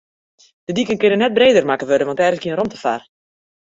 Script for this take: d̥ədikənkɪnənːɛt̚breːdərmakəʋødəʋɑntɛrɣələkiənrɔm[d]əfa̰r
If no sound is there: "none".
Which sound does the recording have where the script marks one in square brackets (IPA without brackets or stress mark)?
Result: t